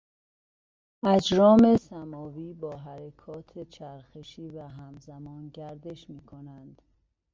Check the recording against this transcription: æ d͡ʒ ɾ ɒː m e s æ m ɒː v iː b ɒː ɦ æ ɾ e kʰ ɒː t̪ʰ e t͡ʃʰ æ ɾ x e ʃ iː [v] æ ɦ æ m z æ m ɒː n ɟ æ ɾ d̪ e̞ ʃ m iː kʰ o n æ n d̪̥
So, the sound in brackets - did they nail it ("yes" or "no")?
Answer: yes